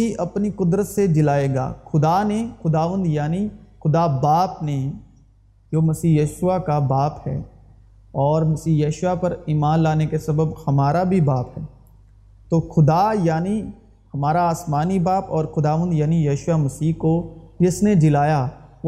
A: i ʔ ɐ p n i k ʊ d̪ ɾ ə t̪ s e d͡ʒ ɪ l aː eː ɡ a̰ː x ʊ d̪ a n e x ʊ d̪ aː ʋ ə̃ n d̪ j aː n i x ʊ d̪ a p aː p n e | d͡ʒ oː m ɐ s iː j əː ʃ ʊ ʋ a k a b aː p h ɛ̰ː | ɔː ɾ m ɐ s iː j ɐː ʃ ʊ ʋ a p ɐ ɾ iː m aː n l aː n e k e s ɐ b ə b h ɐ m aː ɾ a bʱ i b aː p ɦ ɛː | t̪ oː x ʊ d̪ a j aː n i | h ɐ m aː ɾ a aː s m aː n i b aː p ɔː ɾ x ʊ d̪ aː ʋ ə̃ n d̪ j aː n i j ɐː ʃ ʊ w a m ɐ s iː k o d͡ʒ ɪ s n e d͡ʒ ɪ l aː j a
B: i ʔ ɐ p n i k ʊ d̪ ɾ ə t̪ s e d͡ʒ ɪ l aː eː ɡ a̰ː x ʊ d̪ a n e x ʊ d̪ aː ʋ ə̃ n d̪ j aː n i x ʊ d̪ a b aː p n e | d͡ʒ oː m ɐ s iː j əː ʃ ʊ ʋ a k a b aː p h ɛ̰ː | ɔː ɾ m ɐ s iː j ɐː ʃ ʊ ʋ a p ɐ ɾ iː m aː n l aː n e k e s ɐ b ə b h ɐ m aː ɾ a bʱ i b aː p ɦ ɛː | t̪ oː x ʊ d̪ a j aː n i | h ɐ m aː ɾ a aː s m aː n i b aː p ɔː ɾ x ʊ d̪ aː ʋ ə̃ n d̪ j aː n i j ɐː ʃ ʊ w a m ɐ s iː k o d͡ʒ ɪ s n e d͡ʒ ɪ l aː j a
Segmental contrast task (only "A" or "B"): B